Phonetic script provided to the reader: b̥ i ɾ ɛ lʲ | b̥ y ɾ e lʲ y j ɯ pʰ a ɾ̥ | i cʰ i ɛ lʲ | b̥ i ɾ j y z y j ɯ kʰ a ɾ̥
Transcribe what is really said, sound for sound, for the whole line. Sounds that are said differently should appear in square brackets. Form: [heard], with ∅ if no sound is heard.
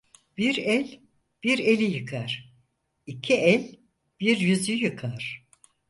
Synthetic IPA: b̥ i ɾ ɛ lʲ | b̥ [i] ɾ e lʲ [i] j ɯ [kʰ] a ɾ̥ | i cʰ i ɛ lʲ | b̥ i ɾ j y z y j ɯ kʰ a ɾ̥